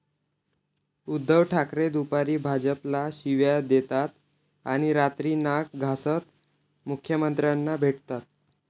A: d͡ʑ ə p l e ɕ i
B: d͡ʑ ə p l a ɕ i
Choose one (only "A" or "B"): B